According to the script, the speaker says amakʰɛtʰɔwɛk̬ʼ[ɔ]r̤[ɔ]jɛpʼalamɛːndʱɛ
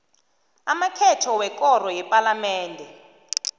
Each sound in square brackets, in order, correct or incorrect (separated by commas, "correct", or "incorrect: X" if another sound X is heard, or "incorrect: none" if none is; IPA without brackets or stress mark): correct, correct